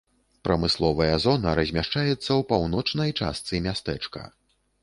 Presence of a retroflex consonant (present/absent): present